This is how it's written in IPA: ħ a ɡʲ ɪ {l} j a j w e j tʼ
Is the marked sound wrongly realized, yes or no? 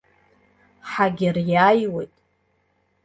yes